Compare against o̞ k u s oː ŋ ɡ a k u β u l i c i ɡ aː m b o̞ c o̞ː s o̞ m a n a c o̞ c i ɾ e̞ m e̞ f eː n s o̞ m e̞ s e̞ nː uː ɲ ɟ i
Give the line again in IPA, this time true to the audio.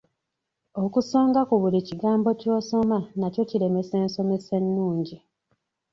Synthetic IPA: o̞ k u s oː ŋ ɡ a k u β u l i c i ɡ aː m b o̞ c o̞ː s o̞ m a n a c o̞ c i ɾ e̞ m e̞ s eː n s o̞ m e̞ s e̞ nː uː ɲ ɟ i